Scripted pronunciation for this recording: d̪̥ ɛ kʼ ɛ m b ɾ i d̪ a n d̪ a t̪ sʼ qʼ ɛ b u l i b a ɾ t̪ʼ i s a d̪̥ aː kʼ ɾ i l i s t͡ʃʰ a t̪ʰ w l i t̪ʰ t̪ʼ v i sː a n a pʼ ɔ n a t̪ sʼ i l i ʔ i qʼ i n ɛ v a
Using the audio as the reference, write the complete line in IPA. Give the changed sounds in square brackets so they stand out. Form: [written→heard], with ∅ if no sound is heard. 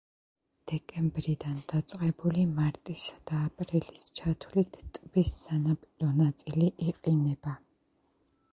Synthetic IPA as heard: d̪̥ ɛ kʼ ɛ m b ɾ i d̪ a n d̪ a t̪ sʼ qʼ ɛ b u l i [b→m] a ɾ t̪ʼ i s a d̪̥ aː [kʼ→pʼ] ɾ i l i s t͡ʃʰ a t̪ʰ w l i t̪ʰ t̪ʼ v i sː a n a pʼ ɔ n a t̪ sʼ i l i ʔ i qʼ i n ɛ [v→b] a